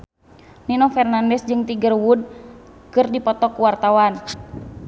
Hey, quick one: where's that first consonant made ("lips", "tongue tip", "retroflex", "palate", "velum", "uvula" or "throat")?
tongue tip